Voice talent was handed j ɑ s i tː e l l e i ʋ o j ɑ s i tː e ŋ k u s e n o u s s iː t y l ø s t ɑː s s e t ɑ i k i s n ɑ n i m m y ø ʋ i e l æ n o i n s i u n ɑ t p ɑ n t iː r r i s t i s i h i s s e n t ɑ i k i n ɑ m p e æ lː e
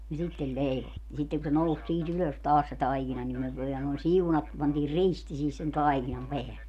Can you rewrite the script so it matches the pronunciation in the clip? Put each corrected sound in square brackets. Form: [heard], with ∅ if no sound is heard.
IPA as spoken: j ɑ s i tː e l l e i ʋ o j ɑ s i tː e ŋ k u s e n o u s s iː t y l ø s t ɑː s s e t ɑ i k i [∅] n ɑ n i m m y ø ʋ i e l æ n o i n s i u n ɑ t p ɑ n t iː r r i s t i s i h i s s e n t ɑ i k i n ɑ m p e æ lː e